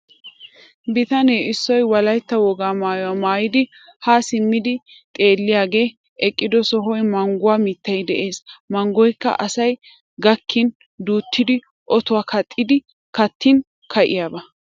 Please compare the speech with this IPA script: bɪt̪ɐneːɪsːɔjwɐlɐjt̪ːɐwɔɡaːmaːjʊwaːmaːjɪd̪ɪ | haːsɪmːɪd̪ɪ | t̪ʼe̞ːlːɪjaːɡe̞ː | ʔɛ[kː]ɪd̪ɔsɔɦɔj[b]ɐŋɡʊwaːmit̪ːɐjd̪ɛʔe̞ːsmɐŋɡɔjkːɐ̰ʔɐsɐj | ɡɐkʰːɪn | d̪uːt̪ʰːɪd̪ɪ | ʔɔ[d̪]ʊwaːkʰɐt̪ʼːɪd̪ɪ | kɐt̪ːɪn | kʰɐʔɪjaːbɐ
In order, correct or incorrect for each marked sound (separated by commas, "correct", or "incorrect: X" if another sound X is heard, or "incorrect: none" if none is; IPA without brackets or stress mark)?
incorrect: kʼː, incorrect: m, incorrect: t̪